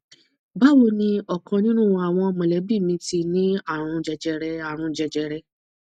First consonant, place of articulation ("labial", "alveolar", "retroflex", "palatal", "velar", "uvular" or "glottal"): labial